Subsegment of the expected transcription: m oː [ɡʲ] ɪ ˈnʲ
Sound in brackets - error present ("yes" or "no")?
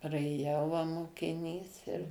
yes